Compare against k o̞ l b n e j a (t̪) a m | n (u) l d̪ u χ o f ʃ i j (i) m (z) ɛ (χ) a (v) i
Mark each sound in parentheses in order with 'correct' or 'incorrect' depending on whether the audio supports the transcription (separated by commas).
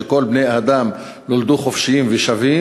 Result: incorrect, incorrect, correct, incorrect, incorrect, correct